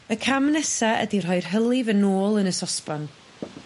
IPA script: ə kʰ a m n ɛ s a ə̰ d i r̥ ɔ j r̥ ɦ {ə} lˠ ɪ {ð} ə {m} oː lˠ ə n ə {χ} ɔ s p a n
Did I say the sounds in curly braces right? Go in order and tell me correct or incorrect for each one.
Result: correct, incorrect, incorrect, incorrect

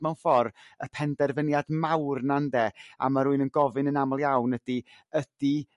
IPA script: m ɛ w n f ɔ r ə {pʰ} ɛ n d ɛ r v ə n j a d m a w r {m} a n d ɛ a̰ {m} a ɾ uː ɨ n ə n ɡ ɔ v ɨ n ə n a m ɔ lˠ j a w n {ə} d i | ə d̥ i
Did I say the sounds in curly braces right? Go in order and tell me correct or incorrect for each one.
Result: correct, incorrect, correct, correct

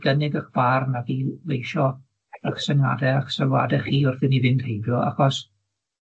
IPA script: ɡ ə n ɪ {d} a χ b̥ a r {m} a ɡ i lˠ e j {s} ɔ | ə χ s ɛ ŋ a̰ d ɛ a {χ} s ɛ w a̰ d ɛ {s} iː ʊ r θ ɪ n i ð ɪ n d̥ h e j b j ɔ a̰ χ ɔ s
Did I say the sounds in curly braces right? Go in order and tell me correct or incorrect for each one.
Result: incorrect, incorrect, incorrect, correct, incorrect

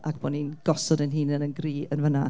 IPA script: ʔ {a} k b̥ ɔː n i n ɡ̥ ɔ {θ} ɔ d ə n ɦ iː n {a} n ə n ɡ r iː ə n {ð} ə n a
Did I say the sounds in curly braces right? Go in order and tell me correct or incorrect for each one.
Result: correct, incorrect, incorrect, incorrect

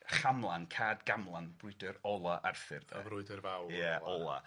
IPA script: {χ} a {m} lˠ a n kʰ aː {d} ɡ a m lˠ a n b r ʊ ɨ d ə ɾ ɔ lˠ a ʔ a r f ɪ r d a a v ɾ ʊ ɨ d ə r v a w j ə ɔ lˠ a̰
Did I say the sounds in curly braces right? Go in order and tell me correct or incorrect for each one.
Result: correct, correct, correct

